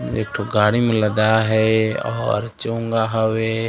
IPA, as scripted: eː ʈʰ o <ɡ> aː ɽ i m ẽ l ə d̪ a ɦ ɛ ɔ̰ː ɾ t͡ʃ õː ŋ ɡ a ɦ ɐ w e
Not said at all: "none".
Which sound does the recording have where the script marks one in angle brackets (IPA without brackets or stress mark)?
ɡ